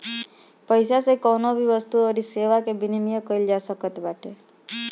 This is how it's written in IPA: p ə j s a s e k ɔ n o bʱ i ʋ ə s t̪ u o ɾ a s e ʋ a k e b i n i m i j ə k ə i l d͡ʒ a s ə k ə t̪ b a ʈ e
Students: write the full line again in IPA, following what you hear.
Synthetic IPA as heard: p ə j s a s e k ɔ n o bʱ i ʋ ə s t̪ u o ɾ i s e ʋ a k e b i n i m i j ə k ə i l d͡ʒ a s ə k ə t̪ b a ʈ e